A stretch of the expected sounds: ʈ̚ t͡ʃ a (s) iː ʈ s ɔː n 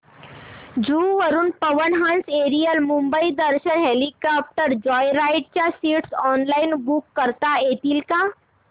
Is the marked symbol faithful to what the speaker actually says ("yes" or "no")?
yes